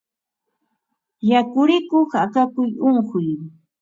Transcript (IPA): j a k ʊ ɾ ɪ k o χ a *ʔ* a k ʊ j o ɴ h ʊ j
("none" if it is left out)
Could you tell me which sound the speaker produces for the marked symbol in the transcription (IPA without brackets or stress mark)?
k